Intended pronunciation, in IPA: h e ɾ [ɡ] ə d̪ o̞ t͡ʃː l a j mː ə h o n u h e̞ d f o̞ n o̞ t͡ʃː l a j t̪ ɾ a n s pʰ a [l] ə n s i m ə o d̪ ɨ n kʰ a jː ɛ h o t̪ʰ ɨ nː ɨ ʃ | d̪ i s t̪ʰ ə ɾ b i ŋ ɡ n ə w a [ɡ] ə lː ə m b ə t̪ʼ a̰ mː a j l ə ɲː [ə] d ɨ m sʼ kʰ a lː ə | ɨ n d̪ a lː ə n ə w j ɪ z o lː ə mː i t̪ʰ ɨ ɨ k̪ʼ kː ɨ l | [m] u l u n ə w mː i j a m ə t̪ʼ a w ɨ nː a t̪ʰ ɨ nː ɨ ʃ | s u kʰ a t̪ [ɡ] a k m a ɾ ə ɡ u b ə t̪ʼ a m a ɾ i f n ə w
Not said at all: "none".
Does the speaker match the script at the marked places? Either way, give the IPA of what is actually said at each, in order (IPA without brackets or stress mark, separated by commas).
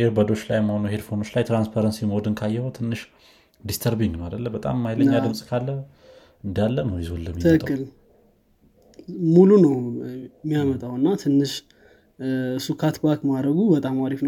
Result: b, ɾ, d, a, m, b